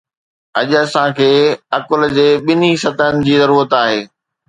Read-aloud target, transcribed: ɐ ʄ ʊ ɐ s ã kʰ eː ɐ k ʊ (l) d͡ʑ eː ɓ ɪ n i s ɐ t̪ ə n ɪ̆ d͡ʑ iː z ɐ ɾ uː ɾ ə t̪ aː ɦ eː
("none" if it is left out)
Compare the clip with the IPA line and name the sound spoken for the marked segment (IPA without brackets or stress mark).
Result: l